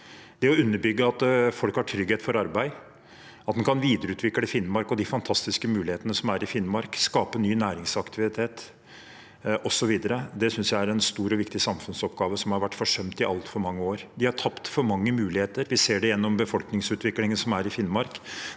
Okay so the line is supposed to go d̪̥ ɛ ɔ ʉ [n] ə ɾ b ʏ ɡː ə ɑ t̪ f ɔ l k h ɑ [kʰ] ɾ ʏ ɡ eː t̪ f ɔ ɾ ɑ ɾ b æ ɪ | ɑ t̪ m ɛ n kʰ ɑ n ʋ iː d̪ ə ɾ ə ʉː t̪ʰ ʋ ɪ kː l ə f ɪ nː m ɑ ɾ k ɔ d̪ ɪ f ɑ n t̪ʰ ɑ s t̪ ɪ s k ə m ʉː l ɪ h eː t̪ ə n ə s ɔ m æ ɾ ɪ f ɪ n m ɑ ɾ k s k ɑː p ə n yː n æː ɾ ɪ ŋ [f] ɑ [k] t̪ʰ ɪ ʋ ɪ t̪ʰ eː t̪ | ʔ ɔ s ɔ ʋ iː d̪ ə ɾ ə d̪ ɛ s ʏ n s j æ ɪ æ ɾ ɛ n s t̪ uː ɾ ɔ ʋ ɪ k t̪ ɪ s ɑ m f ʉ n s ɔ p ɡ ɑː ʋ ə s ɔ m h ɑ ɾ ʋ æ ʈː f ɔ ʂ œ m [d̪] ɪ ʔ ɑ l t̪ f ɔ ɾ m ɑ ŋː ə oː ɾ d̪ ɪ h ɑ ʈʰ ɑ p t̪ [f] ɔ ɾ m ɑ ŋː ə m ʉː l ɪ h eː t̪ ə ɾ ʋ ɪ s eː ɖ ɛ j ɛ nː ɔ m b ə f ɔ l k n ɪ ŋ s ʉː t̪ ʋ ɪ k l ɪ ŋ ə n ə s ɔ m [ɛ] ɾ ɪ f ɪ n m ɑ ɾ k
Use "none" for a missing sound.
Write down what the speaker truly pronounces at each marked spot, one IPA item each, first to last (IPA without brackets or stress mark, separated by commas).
nː, ʈʰ, s, k, t̪, f, æ